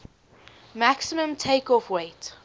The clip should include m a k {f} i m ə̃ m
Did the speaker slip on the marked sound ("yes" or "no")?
yes